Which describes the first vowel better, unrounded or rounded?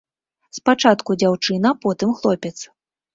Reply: unrounded